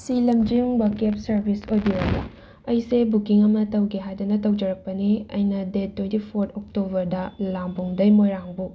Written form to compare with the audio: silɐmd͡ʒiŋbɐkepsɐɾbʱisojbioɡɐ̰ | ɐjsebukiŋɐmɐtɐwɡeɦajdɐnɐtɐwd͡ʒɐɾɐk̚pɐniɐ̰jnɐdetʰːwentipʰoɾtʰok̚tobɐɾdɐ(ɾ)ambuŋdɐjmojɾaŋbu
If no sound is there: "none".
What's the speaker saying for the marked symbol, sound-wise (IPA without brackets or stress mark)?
l